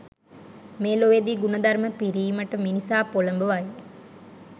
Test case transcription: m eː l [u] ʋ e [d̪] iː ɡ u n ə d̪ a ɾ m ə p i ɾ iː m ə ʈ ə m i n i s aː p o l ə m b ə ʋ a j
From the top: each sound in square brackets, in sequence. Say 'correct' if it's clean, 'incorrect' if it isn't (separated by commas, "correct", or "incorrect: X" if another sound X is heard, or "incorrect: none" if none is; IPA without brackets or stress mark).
incorrect: o, correct